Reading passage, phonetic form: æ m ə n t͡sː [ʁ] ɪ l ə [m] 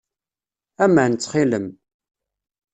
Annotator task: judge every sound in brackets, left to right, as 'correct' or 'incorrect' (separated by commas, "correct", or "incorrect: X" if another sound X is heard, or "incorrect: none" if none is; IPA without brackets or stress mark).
incorrect: χ, correct